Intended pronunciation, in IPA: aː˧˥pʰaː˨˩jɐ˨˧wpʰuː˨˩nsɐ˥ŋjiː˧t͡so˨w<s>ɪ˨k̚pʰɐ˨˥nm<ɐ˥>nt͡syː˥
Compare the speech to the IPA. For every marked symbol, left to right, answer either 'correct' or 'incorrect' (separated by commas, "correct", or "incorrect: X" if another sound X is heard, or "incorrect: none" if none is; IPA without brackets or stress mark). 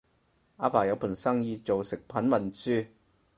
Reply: correct, incorrect: ɐ˨˩